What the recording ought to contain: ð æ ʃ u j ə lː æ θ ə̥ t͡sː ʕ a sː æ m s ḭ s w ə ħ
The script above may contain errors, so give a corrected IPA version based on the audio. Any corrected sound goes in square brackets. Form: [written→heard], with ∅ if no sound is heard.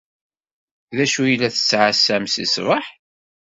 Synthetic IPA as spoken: ð æ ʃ u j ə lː æ θ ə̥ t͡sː ʕ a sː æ m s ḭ s [w→v] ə ħ